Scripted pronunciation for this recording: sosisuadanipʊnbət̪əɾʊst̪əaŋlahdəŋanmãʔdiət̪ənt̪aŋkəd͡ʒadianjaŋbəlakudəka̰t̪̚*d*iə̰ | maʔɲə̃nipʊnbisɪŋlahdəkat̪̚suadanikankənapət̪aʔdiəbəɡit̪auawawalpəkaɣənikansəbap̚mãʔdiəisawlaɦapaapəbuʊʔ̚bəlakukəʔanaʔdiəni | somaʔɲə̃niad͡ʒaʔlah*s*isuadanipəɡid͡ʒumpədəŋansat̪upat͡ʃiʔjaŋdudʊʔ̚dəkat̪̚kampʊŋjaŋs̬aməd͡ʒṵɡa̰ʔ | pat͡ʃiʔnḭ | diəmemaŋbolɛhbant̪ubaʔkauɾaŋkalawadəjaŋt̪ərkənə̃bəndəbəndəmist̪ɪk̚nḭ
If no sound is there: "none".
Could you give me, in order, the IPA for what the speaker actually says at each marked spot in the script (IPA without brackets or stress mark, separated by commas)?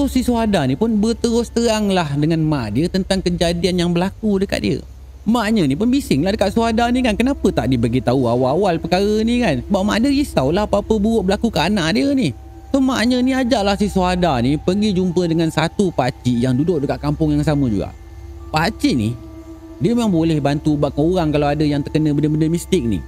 d, s